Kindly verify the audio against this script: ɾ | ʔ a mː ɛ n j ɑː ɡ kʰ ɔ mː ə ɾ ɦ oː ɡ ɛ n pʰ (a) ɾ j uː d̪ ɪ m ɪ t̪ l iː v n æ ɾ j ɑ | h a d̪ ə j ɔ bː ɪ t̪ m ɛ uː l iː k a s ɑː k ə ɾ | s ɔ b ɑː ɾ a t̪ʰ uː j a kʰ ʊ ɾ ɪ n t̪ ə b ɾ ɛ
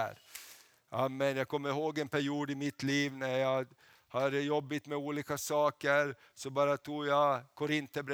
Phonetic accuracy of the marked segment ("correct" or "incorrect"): incorrect